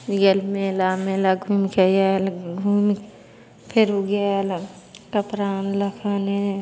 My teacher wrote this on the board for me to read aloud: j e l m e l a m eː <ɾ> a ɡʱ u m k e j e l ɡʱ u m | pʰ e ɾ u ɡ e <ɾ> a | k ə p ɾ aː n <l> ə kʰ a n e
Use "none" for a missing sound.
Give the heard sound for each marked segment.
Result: l, l, l

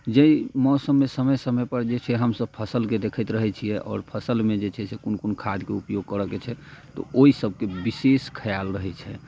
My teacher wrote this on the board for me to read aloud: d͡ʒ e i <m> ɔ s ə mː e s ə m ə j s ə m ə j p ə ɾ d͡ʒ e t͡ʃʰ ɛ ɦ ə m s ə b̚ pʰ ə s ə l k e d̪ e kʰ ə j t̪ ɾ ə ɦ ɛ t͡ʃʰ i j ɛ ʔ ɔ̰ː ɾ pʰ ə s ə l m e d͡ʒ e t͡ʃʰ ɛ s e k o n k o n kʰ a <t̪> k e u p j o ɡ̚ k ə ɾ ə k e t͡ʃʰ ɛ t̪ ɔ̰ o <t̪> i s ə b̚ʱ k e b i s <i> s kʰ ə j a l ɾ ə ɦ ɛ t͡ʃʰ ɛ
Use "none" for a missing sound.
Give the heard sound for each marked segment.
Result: m, d̪, none, e

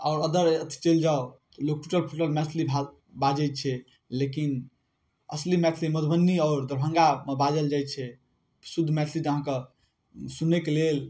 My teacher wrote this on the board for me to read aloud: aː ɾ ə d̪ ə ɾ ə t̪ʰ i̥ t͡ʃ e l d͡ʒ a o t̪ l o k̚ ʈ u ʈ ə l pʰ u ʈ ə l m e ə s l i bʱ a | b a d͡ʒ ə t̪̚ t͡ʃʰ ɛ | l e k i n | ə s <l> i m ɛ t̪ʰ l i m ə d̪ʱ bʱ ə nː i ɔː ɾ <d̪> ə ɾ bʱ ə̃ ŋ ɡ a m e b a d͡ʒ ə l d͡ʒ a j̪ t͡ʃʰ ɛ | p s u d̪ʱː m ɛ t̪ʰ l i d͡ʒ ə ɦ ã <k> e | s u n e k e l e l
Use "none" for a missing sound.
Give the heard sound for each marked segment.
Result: l, d̪, k

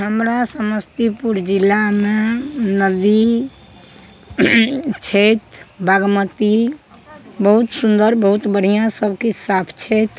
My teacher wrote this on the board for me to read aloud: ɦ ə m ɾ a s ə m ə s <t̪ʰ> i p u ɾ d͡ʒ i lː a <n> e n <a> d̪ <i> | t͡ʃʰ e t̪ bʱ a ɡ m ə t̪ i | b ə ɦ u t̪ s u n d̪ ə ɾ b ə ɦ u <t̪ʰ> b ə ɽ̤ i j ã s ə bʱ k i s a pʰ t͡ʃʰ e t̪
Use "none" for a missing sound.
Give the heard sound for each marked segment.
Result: t̪, m, ə, i, t̪

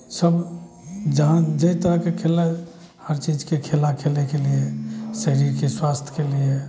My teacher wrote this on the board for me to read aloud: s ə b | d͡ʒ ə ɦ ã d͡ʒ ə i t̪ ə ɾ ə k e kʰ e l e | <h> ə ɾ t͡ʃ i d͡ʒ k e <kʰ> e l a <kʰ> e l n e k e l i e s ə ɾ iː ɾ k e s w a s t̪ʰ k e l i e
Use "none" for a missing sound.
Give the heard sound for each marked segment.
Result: h, kʰ, kʰ

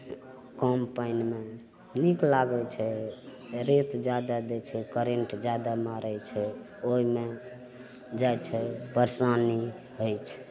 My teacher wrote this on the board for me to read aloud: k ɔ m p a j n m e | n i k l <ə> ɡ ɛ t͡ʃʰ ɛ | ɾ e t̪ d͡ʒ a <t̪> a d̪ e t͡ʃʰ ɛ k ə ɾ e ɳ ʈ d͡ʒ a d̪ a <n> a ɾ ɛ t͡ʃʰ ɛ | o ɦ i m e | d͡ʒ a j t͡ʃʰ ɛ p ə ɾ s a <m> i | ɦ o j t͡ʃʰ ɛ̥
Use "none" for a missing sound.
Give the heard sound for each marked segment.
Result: a, d̪, m, n

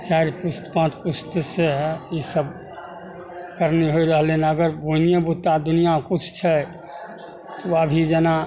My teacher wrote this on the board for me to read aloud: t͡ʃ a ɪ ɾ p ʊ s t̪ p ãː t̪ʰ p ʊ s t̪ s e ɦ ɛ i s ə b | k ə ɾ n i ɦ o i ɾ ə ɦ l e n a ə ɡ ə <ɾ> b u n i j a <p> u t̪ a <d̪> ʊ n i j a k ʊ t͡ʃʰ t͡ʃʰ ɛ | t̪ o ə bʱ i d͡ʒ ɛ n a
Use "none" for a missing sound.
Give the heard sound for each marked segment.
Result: ɾ, b, d̪

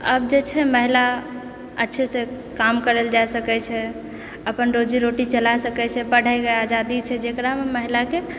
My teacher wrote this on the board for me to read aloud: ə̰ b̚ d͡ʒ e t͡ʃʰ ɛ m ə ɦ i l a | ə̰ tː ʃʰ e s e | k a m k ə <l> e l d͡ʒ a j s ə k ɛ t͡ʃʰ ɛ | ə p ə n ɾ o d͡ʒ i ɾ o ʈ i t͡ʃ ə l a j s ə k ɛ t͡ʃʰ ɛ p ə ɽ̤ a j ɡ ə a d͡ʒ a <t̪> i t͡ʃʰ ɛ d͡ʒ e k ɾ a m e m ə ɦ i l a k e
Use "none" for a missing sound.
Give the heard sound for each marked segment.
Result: ɾ, d̪

